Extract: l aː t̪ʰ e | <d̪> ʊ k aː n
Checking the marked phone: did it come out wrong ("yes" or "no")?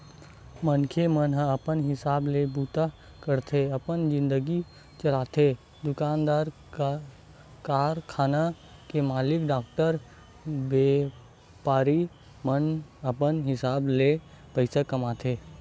no